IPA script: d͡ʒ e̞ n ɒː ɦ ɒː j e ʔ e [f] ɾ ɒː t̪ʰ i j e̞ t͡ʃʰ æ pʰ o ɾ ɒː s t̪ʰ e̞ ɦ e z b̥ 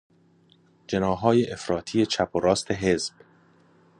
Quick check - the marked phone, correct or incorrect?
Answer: correct